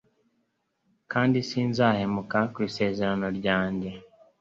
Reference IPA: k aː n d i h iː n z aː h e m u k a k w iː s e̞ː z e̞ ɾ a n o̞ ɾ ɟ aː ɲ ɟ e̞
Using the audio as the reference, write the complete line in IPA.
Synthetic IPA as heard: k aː n d i s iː n z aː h e m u k a k w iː s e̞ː z e̞ ɾ a n o̞ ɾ ɟ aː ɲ ɟ e̞